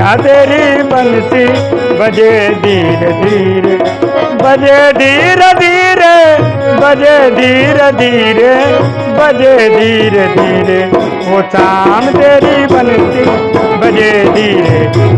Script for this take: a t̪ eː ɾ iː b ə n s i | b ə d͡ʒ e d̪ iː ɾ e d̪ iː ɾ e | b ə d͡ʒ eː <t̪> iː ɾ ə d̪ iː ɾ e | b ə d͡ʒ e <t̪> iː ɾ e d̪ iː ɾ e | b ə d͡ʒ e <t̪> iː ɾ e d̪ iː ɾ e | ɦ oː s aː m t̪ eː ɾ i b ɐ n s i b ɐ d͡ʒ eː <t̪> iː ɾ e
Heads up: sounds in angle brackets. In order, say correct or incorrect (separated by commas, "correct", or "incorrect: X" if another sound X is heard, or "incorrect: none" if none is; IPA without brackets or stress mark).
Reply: incorrect: d̪, incorrect: d̪, incorrect: d̪, incorrect: d̪